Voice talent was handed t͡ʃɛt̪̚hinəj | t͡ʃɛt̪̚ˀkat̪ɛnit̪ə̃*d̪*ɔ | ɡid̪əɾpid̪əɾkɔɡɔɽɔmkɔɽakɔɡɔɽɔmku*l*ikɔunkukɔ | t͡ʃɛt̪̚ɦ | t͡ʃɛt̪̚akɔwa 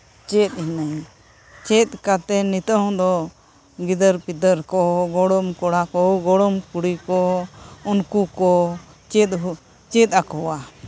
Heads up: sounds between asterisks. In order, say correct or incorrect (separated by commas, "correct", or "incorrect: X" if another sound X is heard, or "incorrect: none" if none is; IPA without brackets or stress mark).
correct, incorrect: ɽ